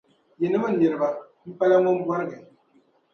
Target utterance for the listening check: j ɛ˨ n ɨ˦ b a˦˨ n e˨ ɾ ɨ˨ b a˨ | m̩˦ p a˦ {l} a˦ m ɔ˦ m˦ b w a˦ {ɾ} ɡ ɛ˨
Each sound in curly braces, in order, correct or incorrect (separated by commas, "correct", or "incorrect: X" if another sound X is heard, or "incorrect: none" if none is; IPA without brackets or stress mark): correct, correct